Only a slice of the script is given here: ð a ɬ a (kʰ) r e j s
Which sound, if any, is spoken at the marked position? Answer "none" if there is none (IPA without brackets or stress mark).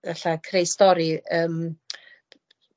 kʰ